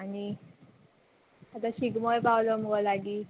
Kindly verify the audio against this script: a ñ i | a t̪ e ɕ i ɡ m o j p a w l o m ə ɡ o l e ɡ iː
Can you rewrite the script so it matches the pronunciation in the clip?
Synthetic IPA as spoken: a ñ i | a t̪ a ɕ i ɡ m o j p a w l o m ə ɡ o l a ɡ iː